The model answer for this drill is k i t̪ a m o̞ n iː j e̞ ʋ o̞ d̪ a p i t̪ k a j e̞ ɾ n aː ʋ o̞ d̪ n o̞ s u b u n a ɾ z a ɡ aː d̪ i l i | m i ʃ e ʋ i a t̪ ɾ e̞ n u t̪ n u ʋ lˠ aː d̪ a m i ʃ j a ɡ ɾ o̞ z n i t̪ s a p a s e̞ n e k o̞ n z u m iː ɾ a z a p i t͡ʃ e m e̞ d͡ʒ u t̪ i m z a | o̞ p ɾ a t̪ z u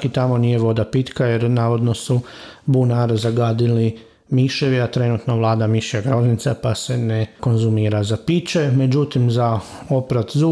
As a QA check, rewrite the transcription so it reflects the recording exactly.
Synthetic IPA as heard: k i t̪ a m o̞ n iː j e̞ ʋ o̞ d̪ a p i t̪ k a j e̞ ɾ n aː ʋ o̞ d̪ n o̞ s u b u n a ɾ z a ɡ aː d̪ i l i | m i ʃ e ʋ i a t̪ ɾ e̞ n u t̪ n o ʋ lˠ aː d̪ a m i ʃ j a ɡ ɾ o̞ z n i t̪ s a p a s e̞ n e k o̞ n z u m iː ɾ a z a p i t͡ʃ e m e̞ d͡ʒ u t̪ i m z a | o̞ p ɾ a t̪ z u